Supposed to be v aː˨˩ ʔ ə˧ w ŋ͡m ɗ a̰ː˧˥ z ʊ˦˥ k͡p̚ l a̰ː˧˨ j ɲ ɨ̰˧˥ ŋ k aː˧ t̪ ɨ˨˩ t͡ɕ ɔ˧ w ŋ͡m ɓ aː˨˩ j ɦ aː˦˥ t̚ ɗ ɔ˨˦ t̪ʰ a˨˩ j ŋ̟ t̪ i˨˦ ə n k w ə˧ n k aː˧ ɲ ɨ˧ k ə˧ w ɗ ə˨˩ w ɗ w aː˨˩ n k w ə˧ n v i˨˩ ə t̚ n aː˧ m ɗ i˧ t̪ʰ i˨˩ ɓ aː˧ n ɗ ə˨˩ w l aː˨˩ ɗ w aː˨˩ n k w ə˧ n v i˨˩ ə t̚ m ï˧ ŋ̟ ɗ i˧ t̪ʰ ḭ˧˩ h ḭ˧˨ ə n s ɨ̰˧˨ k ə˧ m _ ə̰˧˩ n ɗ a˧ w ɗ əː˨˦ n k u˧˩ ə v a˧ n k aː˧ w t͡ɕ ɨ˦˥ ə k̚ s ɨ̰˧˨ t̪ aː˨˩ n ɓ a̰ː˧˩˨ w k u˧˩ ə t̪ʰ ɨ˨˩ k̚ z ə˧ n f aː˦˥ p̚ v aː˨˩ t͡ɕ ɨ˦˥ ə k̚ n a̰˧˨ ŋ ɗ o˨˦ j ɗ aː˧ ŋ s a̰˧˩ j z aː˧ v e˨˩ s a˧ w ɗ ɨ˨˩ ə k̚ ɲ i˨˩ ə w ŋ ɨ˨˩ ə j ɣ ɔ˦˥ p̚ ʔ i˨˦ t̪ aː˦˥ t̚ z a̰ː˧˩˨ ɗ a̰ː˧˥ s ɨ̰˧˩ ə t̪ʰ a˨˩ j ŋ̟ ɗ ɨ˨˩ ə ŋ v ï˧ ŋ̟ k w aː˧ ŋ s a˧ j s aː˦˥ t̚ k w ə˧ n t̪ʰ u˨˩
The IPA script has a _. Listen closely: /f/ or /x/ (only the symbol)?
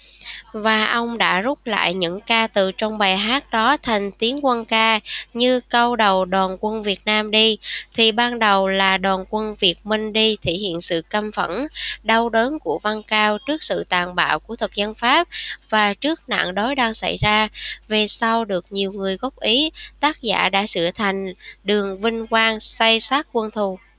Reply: f